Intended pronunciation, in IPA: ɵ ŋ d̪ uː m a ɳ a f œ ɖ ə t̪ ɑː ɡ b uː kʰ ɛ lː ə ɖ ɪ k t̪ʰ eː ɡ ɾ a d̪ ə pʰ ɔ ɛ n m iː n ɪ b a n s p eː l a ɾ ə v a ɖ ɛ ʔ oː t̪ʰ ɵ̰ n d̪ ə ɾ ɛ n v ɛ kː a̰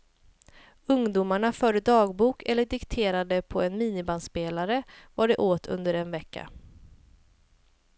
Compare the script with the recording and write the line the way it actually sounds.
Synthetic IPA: ɵ ŋ d̪ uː m a ɳ a f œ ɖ ə d̪ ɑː ɡ b uː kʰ ɛ lː ə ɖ ɪ k t̪ʰ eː ɾ a d̪ ə pʰ ɔ ɛ n m iː n ɪ b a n s p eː l a ɾ ə v a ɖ ɛ ʔ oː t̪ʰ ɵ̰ n d̪ ə ɾ ɛ n v ɛ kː a̰